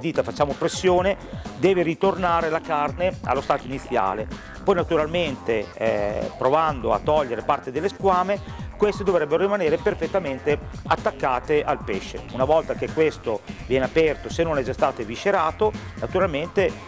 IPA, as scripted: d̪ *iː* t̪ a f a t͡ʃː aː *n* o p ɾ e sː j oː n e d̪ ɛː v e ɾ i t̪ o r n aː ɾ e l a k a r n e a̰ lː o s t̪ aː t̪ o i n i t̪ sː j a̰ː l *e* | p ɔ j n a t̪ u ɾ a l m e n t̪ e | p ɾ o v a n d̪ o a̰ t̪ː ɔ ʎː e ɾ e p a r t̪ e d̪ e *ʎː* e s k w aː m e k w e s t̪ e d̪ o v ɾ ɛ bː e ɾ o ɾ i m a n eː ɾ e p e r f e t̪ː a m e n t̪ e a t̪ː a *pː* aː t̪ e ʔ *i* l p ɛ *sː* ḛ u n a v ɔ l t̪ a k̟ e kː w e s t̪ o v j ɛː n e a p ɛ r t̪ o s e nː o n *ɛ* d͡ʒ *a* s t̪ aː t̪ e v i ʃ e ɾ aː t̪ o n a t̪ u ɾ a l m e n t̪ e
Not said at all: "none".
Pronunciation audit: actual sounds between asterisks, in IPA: iː, m, e, lː, kː, a, ʃː, ɛ, a

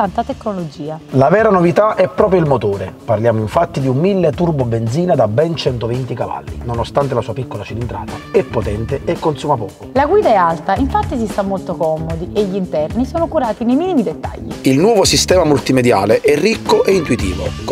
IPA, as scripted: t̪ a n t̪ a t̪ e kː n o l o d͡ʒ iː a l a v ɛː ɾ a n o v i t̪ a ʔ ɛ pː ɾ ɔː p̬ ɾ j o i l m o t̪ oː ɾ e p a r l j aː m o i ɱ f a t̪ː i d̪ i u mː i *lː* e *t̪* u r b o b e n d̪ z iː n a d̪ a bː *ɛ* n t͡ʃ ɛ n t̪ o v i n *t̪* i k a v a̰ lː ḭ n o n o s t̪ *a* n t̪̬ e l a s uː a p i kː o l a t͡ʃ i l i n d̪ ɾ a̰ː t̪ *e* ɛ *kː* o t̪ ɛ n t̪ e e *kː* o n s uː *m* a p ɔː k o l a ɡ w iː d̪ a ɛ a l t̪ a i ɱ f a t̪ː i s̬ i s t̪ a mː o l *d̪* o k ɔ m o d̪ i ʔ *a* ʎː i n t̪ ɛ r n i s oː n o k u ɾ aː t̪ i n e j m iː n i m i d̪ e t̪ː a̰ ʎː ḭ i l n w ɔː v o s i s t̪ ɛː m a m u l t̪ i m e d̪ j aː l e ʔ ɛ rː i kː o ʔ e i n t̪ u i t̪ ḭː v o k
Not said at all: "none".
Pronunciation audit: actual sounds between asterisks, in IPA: lː, t̪, ɛ, t̪, a, a, pː, kː, m, t̪, e

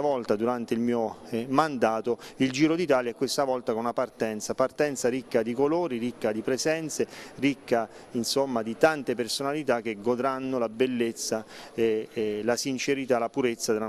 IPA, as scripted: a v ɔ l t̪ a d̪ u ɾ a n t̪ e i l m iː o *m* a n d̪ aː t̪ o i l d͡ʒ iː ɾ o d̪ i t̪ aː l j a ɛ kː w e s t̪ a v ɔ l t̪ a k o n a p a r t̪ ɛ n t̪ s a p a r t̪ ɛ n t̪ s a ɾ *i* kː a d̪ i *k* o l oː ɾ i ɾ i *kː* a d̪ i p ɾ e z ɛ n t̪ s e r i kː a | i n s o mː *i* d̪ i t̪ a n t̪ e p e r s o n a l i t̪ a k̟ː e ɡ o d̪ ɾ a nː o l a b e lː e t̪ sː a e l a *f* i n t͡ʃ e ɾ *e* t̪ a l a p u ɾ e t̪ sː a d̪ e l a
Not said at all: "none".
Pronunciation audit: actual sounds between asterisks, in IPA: m, i, k, kː, a, s, i

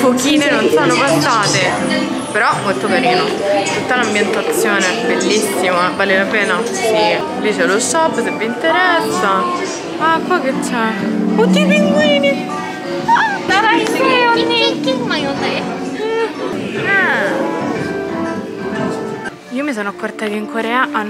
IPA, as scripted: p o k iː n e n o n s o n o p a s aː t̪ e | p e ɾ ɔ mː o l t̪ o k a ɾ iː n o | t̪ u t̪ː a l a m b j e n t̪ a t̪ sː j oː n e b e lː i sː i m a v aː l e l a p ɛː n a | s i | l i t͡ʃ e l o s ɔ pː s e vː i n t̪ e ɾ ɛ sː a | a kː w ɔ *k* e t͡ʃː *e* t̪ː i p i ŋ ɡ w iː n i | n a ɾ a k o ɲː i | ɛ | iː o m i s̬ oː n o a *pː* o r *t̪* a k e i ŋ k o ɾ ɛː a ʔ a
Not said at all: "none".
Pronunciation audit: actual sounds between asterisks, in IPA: k, ɛ, kː, t̪

